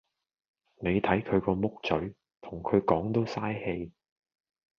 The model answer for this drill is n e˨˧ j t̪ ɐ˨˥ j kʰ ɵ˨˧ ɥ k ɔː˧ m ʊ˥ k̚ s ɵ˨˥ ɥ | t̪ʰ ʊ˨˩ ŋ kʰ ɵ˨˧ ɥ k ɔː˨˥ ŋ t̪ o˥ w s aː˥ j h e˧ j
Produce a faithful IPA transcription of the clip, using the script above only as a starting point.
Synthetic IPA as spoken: n e˨˧ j t̪ʰ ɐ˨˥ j kʰ ɵ˨˧ ɥ k ɔː˧ m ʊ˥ k̚ t͡s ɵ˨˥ ɥ | t̪ʰ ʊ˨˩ ŋ kʰ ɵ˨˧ ɥ k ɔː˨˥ ŋ t̪ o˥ w s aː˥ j h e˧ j